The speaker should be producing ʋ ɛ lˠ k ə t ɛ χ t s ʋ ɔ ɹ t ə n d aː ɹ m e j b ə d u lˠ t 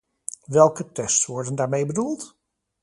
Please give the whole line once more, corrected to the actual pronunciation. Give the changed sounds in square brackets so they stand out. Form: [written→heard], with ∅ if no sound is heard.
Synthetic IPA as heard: ʋ ɛ lˠ k ə t ɛ [χ→s] t s ʋ ɔ ɹ [t→d] ə n d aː ɹ m e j b ə d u lˠ t